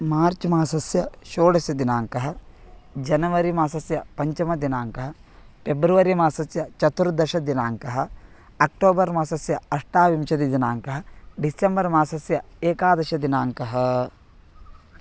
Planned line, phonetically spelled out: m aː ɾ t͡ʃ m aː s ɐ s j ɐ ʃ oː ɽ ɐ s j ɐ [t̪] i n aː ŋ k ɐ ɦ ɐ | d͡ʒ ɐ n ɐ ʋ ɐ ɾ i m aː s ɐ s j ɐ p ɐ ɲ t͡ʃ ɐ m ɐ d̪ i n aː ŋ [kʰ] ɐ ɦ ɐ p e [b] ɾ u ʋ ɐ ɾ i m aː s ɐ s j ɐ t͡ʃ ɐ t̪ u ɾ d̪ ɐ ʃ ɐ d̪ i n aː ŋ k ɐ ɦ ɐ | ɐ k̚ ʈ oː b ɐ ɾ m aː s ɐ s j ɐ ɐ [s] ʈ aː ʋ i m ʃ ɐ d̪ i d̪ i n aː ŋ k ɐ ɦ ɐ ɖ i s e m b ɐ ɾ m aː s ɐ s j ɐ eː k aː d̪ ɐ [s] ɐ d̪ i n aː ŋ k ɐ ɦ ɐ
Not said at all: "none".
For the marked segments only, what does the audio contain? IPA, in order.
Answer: d̪, k, b, ʂ, ʃ

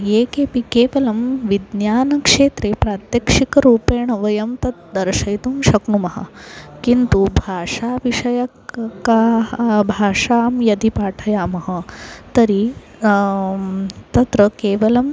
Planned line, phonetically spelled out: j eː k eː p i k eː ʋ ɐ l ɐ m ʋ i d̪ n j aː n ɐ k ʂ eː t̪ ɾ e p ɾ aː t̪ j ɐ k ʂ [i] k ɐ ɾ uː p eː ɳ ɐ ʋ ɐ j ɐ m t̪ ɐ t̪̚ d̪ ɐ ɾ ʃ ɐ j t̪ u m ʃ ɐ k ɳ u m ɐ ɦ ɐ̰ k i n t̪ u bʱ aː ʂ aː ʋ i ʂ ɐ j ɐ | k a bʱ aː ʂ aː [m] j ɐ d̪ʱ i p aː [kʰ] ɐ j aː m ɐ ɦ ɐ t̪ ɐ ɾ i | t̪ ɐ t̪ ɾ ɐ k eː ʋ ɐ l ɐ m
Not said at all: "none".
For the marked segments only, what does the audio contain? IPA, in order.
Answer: i, m, ʈʰ

